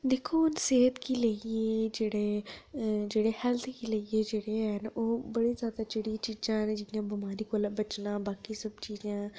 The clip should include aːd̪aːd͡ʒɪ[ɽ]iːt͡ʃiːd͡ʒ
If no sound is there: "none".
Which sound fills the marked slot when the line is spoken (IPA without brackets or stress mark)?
ɽ